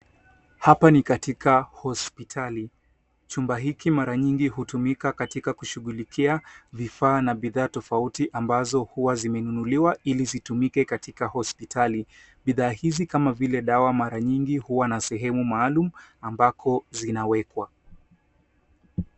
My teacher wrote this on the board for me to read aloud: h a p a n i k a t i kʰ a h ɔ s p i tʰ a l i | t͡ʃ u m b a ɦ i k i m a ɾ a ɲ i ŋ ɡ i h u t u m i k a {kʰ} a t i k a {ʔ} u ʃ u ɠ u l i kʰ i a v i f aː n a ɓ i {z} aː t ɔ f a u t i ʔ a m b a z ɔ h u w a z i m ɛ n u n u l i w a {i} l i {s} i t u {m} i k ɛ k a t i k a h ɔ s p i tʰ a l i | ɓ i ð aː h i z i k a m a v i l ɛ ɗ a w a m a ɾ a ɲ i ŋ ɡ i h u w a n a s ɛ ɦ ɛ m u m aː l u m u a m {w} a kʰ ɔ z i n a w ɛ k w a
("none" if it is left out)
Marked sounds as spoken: k, k, ð, i, z, m, b

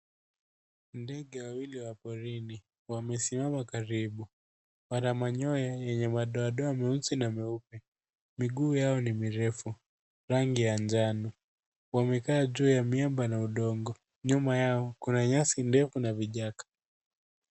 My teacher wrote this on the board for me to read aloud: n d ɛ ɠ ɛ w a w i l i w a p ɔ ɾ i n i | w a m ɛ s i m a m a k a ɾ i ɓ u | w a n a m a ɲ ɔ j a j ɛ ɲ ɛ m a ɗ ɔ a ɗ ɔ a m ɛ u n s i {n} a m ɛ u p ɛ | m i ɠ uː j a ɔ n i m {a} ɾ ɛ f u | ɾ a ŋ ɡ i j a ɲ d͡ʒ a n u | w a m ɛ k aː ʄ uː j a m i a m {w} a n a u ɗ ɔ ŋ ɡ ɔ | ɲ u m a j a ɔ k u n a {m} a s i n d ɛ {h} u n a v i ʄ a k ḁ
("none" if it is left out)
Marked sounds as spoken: n, i, b, ɲ, f

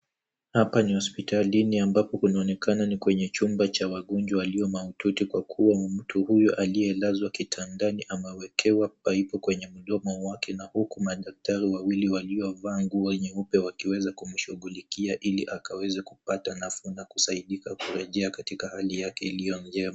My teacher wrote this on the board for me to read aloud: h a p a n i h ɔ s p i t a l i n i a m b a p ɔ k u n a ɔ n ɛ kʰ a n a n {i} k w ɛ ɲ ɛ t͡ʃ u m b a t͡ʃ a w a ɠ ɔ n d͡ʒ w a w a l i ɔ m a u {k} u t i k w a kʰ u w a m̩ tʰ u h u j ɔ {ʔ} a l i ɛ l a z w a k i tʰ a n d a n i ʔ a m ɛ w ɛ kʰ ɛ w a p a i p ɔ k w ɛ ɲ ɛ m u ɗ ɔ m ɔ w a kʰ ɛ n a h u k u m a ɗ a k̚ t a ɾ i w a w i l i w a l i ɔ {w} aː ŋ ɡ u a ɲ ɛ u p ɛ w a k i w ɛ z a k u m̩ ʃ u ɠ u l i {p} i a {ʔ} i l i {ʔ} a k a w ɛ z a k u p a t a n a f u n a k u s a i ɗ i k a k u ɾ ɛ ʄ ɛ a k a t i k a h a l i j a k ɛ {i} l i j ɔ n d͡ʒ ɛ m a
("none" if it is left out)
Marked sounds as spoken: i, t, ʔ, v, k, ʔ, ʔ, i

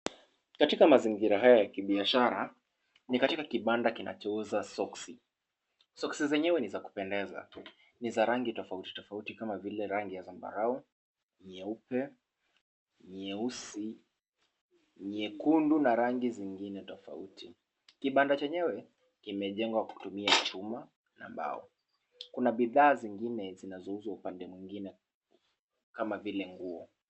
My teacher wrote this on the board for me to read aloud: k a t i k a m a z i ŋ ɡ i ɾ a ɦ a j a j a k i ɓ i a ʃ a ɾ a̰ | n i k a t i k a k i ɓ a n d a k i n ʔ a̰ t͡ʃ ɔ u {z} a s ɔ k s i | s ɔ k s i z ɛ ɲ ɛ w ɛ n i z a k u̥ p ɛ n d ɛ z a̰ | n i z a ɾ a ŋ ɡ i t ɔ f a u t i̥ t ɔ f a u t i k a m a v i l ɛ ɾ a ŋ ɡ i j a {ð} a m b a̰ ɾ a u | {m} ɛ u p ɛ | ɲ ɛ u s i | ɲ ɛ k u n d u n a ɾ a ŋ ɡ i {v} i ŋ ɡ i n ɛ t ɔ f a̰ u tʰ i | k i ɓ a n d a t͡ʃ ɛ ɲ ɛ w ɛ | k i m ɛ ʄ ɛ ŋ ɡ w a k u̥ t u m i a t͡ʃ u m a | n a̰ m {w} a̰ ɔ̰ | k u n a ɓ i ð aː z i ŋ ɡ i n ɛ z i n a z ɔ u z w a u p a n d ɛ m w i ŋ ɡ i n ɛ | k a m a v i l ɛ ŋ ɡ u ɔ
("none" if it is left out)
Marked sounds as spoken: z, z, ɲ, z, b

